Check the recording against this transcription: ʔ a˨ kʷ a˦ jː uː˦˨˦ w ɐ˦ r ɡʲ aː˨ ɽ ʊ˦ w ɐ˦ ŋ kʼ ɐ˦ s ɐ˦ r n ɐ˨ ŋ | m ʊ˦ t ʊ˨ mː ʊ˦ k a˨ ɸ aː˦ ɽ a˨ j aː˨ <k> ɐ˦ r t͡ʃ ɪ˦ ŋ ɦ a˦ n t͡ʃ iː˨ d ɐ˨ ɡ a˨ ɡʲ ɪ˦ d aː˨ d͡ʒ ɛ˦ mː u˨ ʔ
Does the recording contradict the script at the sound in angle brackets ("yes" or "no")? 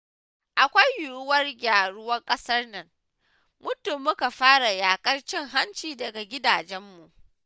yes